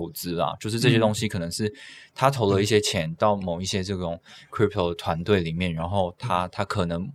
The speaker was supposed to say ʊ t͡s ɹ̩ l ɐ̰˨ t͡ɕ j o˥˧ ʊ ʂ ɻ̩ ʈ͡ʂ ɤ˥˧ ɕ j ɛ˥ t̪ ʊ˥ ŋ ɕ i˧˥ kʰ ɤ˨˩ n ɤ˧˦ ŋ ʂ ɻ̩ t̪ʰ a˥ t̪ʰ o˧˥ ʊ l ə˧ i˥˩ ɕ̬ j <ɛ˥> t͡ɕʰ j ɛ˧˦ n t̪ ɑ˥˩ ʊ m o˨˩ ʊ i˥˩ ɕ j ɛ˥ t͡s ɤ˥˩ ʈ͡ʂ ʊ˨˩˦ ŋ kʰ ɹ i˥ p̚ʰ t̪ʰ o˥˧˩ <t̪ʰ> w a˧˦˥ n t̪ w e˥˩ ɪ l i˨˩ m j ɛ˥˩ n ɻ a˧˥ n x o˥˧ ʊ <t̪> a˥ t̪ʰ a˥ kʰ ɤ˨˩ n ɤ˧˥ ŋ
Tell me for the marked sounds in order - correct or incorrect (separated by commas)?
correct, correct, incorrect